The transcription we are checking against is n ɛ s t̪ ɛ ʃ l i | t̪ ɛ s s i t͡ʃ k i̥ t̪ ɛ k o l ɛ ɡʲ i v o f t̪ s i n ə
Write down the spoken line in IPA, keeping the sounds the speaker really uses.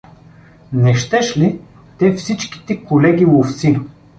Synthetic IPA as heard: n ɛ ʃ t̪ ɛ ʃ l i | t̪ ɛ f s i t͡ʃ k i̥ t̪ ɛ k o l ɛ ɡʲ i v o f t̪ s i n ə

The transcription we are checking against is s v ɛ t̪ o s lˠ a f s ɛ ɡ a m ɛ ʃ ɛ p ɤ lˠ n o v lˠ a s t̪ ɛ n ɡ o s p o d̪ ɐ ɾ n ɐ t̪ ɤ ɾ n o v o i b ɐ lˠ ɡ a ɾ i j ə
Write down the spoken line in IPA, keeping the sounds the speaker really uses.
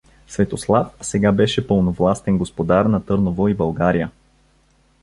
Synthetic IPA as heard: s v ɛ t̪ o s lˠ a f s ɛ ɡ a b ɛ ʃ ɛ p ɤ lˠ n o v lˠ a s t̪ ɛ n ɡ o s p o d̪ a ɾ n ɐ t̪ ɤ ɾ n o v o i b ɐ lˠ ɡ a ɾ i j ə

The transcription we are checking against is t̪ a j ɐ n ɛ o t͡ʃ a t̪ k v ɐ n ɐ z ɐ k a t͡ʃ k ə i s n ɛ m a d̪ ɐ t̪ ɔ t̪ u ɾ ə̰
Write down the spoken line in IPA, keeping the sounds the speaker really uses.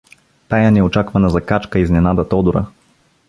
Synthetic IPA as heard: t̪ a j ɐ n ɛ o t͡ʃ a k v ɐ n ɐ z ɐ k a t͡ʃ k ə i z n ɛ n a d̪ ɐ t̪ ɔ d̪ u ɾ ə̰

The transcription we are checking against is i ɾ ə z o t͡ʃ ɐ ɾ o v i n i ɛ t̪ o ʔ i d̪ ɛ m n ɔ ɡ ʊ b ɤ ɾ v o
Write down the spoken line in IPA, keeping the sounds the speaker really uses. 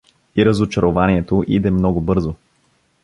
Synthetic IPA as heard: i ɾ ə z o t͡ʃ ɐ ɾ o v a n i ɛ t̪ o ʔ i d̪ ɛ m n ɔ ɡ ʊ b ɤ ɾ z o

